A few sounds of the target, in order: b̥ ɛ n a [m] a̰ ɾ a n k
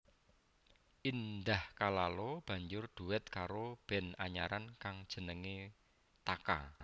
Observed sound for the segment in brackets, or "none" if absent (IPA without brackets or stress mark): ɲ